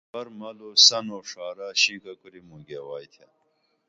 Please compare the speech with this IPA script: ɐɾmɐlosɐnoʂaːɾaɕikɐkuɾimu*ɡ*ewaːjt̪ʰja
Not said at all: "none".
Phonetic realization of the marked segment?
ɡ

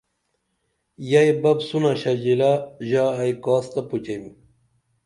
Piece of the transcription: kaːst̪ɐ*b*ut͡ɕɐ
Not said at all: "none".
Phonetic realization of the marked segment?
p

